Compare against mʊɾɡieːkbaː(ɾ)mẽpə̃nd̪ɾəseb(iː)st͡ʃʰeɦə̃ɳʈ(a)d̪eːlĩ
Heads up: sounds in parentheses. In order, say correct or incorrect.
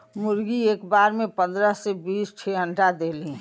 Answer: correct, correct, correct

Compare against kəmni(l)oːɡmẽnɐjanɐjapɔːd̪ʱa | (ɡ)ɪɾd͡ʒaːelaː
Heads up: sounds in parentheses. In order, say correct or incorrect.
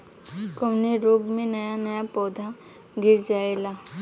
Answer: incorrect: ɾ, correct

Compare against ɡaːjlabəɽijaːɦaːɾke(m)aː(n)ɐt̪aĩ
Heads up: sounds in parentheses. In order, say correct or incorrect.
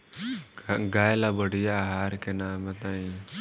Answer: incorrect: n, incorrect: m

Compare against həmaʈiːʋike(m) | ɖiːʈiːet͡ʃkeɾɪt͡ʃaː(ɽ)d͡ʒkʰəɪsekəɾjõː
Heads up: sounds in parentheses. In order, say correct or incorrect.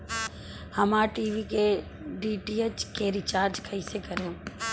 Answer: incorrect: none, incorrect: ɾ

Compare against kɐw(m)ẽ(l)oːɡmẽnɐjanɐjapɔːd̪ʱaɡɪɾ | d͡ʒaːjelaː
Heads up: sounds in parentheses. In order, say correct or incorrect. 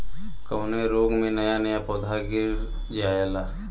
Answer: incorrect: n, incorrect: ɾ

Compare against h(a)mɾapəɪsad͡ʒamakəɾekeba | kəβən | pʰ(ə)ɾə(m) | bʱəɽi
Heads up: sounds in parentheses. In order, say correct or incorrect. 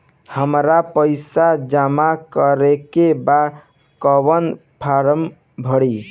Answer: incorrect: ə, incorrect: a, correct

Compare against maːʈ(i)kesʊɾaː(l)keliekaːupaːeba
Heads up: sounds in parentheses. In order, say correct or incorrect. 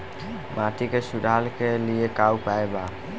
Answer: correct, correct

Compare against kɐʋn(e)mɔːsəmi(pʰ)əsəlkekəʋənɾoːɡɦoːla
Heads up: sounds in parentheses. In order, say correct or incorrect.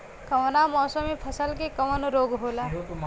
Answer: incorrect: a, correct

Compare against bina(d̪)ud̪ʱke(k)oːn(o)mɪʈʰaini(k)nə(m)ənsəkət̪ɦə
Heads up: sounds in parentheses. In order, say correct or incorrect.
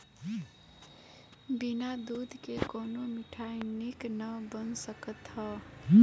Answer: correct, correct, correct, correct, incorrect: b

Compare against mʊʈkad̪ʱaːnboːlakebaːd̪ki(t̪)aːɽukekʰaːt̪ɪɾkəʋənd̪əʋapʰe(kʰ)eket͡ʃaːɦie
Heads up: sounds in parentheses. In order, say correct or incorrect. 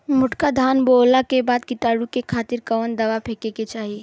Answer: correct, incorrect: k

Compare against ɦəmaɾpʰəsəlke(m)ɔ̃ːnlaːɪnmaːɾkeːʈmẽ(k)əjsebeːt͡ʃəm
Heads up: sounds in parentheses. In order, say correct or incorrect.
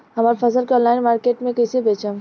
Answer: incorrect: none, correct

